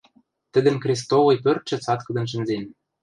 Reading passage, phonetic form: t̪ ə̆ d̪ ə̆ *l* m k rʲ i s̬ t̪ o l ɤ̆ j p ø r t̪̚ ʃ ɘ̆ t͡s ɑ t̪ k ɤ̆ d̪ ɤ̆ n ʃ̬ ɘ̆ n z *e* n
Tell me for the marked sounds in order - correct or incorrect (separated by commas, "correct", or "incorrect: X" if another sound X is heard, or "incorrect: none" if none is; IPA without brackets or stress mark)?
incorrect: none, correct